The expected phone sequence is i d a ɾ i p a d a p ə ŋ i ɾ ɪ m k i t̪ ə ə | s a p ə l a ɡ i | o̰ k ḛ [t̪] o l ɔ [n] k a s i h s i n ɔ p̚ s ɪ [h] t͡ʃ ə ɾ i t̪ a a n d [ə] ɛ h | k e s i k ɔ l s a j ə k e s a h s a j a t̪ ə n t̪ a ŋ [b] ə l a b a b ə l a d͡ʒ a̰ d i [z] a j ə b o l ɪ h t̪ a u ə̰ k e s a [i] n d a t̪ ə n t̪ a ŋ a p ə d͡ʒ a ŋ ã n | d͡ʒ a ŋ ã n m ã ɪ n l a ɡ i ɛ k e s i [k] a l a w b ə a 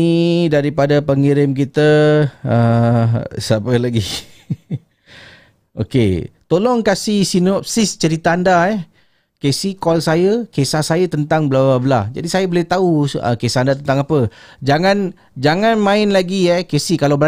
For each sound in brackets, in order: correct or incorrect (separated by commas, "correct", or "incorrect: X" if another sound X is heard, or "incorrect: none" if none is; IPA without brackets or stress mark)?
correct, incorrect: ŋ, incorrect: s, incorrect: a, correct, incorrect: s, incorrect: a, correct